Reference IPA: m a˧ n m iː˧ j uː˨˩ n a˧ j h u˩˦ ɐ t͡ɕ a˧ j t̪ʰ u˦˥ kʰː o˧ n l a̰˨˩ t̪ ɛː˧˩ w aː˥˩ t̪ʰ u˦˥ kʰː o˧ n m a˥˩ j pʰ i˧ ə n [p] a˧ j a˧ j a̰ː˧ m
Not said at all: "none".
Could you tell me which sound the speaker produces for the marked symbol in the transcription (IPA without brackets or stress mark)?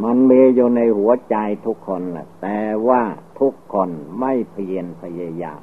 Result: pʰ